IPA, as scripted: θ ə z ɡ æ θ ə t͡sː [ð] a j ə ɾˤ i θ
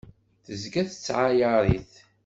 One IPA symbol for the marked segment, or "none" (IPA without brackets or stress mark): ʕ